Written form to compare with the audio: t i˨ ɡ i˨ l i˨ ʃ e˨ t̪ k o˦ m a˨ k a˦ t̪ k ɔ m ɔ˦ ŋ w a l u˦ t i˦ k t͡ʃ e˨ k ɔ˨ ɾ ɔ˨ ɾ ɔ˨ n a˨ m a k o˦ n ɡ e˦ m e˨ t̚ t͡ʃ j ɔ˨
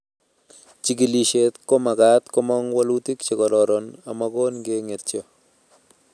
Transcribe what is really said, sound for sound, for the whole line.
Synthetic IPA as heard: t͡ʃ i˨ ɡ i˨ l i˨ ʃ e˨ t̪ k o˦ m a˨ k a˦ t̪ k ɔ m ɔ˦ ŋ w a l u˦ t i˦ k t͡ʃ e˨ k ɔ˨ ɾ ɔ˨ ɾ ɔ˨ n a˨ m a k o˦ n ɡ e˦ ŋ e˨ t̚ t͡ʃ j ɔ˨